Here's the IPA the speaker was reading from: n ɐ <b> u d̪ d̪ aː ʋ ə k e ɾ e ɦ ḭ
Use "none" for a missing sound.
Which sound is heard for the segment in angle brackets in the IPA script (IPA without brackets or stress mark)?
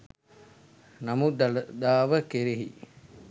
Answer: m